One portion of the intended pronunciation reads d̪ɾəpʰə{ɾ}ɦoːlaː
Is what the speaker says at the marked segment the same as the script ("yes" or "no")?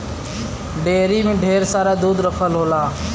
no